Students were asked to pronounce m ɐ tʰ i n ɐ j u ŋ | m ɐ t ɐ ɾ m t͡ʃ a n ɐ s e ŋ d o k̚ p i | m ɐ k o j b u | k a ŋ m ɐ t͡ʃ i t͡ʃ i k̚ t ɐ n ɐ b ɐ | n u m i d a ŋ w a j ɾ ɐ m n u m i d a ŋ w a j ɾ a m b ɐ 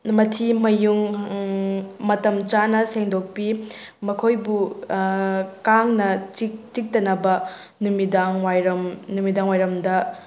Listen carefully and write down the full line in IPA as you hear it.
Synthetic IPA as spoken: m ɐ tʰ i m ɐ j u ŋ | m ɐ t ɐ m t͡ʃ a n ɐ s e ŋ d o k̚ p i | m ɐ kʰ o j b u | k a ŋ n ɐ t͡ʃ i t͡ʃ i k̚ t ɐ n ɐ b ɐ | n u m i d a ŋ w a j ɾ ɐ m n u m i d a ŋ w a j ɾ ɐ m d ɐ